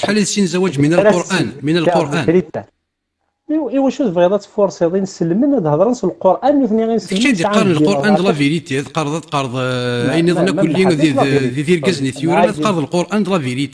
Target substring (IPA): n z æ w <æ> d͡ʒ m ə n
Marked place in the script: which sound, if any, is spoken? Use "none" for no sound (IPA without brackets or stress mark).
æ